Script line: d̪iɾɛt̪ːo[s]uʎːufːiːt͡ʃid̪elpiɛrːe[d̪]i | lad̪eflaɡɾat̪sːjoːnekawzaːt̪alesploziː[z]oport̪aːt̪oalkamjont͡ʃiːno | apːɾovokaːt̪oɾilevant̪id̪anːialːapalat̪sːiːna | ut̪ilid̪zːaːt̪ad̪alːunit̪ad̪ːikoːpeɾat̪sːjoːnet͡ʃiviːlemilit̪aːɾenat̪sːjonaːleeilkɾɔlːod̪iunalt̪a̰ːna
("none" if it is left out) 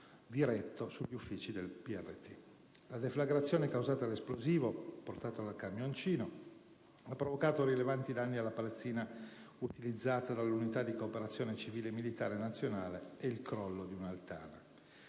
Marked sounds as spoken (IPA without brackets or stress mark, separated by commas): s, t̪, v